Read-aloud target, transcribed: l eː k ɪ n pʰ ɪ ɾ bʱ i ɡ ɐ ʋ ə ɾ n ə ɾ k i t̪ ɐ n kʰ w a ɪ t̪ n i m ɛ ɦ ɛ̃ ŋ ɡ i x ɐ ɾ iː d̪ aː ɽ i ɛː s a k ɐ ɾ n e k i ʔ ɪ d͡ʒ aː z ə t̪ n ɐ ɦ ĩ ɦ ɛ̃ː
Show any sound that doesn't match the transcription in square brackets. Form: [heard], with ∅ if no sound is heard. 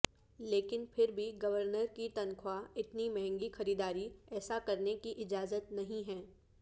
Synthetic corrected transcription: l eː k ɪ n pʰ ɪ ɾ bʱ i ɡ ɐ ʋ ə ɾ n ə ɾ k i t̪ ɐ n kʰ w a ɪ t̪ n i m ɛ ɦ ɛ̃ ŋ ɡ i x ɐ ɾ iː d̪ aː [ɾ] i ɛː s a k ɐ ɾ n e k i ʔ ɪ d͡ʒ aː z ə t̪ n ɐ ɦ ĩ ɦ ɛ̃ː